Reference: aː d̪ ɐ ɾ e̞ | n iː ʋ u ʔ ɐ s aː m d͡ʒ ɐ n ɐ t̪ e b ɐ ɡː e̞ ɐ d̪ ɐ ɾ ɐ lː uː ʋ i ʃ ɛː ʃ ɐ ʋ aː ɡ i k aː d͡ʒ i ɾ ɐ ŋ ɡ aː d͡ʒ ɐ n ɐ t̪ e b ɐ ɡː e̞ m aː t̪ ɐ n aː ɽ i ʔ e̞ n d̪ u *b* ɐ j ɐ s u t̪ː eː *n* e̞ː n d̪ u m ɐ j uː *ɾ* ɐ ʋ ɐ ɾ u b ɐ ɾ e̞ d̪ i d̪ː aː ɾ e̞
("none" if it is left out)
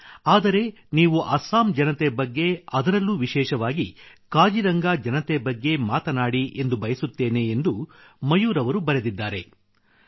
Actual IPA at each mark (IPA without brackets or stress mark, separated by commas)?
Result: b, n, ɾ